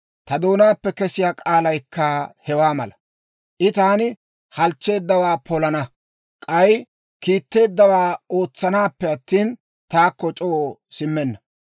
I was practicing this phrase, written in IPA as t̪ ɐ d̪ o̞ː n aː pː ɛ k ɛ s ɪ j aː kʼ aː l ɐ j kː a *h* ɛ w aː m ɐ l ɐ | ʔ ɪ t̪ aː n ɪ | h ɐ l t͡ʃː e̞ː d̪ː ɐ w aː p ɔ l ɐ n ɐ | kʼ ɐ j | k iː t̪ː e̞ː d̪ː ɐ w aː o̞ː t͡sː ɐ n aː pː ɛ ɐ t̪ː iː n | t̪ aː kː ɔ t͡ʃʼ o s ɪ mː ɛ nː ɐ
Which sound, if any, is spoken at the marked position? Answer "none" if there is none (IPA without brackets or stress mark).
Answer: h